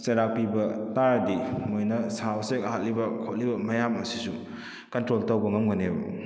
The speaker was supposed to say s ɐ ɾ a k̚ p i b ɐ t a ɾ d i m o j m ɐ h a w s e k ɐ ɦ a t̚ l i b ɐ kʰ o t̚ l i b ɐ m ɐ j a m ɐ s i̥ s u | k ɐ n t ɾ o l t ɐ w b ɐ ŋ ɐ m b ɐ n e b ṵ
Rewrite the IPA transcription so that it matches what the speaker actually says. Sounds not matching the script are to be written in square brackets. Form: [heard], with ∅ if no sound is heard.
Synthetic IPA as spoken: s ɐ ɾ a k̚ p i b ɐ t a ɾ d i m o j [n] ɐ [s] a w s e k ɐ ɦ a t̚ l i b ɐ kʰ o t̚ l i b ɐ m ɐ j a m ɐ s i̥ s u | k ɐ n t ɾ o l t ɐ w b ɐ ŋ ɐ m [ɡ] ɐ n e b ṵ

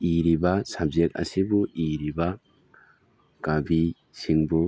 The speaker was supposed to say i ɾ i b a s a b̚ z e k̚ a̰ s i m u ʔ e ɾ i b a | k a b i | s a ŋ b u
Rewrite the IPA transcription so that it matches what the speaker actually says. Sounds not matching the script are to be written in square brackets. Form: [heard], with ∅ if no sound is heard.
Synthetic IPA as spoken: i ɾ i b a s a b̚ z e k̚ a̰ s i [b] u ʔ [i] ɾ i b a | k a b i | s [i] ŋ b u

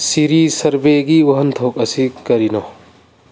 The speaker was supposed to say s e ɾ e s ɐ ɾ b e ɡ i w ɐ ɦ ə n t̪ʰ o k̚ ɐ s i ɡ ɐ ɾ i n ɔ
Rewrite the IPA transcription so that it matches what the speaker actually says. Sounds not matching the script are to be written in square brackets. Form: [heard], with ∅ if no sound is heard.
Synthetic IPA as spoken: s [i] ɾ [i] s ɐ ɾ b e ɡ i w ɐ ɦ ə n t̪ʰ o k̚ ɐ s i [k] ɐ ɾ i n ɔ

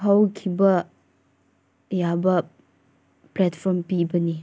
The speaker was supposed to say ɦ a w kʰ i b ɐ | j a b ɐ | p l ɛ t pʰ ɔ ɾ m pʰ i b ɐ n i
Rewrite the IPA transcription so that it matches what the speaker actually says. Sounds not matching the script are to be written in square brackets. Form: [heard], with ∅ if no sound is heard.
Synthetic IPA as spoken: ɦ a w kʰ i b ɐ | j a b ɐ | p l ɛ t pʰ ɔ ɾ m [p] i b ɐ n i

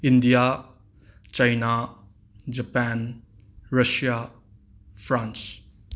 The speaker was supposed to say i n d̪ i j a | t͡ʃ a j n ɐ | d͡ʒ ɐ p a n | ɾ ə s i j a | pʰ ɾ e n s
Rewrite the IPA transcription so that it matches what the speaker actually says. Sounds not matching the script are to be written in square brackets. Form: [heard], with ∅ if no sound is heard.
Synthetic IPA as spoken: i n d̪ i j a | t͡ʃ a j n [a] | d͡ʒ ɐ p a n | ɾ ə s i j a | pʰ ɾ [a] n s

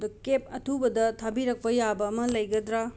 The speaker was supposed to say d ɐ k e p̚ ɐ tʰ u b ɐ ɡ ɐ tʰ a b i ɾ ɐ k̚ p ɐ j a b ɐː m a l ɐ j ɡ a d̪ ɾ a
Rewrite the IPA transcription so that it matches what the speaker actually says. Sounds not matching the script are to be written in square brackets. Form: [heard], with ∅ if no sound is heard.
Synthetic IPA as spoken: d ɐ k e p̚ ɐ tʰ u b ɐ [d] ɐ tʰ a b i ɾ ɐ k̚ p ɐ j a b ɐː m [ɐ] l ɐ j ɡ [ɐ] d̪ ɾ a

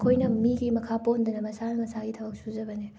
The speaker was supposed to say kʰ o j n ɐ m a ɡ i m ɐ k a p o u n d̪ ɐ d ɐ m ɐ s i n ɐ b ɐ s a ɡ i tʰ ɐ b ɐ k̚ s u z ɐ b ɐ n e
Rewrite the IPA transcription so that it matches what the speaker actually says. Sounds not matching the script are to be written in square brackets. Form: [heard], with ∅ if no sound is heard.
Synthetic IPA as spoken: kʰ o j n ɐ m [i] ɡ i m ɐ [kʰ] a p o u n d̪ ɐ [n] ɐ m ɐ s [a] n ɐ [m] ɐ s a ɡ i tʰ ɐ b ɐ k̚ s u z ɐ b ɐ n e

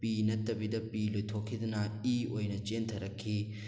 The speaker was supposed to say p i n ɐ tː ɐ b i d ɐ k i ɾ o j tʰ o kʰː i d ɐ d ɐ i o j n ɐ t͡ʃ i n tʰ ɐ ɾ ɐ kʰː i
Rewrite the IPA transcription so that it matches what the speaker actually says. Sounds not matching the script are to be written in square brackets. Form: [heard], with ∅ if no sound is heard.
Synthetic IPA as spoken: p i n ɐ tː ɐ b i d ɐ [p] i [l] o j tʰ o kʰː i d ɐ [n] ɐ i o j n ɐ t͡ʃ [e] n tʰ ɐ ɾ ɐ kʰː i

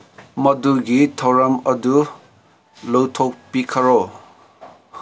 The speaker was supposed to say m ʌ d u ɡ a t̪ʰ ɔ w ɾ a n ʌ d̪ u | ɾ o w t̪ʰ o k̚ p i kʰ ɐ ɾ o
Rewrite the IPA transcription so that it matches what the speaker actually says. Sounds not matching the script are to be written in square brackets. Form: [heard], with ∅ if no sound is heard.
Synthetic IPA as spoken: m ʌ d u ɡ [i] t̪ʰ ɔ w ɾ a [m] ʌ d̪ u | [l] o w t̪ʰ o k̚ p i kʰ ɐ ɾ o

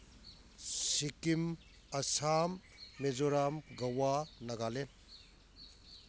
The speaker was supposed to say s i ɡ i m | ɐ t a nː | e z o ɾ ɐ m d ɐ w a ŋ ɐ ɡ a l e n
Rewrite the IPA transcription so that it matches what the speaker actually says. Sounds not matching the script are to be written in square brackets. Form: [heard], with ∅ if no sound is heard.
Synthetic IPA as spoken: s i [k] i m | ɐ [s] a [mː] | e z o ɾ [a] m [ɡ] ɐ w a [n] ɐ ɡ a l e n

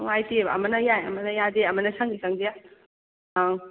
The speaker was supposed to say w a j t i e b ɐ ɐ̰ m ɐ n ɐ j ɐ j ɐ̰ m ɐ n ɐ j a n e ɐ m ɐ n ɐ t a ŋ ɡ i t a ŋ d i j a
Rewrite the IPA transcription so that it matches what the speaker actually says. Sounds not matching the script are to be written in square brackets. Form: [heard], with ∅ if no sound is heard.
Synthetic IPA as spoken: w a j t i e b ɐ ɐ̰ m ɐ n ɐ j [a] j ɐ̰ m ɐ n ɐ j a [d] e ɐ m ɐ n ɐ [s] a ŋ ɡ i [s] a ŋ d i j a

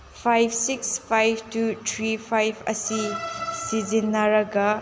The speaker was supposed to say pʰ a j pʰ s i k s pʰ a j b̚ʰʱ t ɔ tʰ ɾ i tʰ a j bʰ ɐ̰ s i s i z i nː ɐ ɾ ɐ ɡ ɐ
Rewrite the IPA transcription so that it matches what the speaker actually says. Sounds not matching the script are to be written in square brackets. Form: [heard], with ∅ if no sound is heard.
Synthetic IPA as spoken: pʰ a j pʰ s i k s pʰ a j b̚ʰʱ t [u] tʰ ɾ i [pʰ] a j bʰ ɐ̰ s i s i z i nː ɐ ɾ ɐ ɡ ɐ

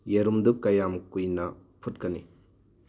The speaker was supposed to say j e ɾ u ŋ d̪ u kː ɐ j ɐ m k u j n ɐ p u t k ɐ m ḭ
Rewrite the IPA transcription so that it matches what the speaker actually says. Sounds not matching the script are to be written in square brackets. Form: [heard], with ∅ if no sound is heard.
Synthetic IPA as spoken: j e ɾ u [m] d̪ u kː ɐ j [a] m k u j n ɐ [pʰ] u t k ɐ [n] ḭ

